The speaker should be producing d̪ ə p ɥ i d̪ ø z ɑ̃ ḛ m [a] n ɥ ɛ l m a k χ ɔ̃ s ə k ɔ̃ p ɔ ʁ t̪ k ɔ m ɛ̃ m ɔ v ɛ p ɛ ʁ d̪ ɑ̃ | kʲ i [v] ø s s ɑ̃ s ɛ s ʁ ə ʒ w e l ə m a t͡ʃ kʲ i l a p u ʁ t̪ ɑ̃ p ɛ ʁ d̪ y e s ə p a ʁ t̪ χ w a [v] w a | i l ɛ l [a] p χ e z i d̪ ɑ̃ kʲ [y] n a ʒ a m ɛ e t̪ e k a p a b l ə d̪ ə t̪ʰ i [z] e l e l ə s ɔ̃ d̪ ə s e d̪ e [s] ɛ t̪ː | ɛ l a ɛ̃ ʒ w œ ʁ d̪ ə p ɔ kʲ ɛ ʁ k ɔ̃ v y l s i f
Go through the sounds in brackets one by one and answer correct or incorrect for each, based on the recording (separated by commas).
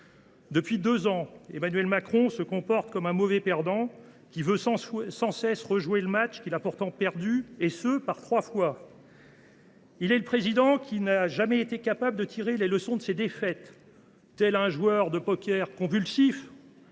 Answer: correct, correct, incorrect, incorrect, incorrect, incorrect, incorrect